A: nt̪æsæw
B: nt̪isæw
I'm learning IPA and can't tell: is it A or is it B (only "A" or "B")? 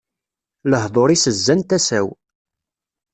A